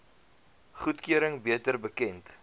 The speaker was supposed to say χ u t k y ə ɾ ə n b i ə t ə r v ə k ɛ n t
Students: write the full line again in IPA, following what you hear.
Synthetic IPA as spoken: χ u t k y ə ɾ ə ŋ b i ə t ə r b ə k ɛ n t